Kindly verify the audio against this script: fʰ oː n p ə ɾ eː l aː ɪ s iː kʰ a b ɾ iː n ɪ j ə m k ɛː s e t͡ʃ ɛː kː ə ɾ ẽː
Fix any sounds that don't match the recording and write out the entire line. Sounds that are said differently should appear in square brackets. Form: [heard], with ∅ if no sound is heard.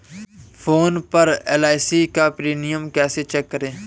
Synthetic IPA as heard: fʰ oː n p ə ɾ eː l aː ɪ s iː [k] a [p] ɾ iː n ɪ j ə m k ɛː s e t͡ʃ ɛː kː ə ɾ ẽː

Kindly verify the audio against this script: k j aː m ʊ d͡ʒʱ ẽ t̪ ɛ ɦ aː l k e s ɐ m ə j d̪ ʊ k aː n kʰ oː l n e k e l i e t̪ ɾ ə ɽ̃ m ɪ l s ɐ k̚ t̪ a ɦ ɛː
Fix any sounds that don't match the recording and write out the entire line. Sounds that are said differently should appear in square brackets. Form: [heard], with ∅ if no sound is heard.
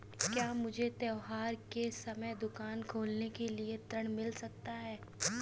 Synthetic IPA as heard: k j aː m ʊ d͡ʒʱ [e] t̪ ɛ ɦ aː [ɾ] k e s ɐ m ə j d̪ ʊ k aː n kʰ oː l n e k e l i e t̪ ɾ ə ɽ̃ m ɪ l s ɐ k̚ t̪ a ɦ ɛː

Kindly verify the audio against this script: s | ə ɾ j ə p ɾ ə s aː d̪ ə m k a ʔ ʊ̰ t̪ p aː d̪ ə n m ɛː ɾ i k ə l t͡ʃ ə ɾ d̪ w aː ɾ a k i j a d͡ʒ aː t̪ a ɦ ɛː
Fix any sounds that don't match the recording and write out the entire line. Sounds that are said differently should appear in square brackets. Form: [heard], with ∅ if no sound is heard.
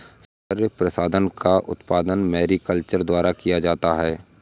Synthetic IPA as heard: s | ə ɾ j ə p ɾ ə s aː d̪ ə [n] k a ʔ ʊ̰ t̪ p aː d̪ ə n m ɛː ɾ i k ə l t͡ʃ ə ɾ d̪ w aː ɾ a k i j a d͡ʒ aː t̪ a ɦ ɛː

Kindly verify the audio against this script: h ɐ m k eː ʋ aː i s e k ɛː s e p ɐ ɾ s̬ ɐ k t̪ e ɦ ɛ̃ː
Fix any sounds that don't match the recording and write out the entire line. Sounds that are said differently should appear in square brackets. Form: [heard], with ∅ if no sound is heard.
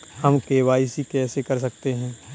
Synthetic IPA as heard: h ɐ m k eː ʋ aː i s [i] k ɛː s e [k] ɐ ɾ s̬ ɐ k t̪ e ɦ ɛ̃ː

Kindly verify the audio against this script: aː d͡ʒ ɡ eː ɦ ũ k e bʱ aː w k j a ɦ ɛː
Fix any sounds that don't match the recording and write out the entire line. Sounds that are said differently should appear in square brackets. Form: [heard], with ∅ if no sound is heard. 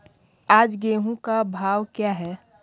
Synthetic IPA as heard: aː d͡ʒ ɡ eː ɦ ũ k [a] bʱ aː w k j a ɦ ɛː

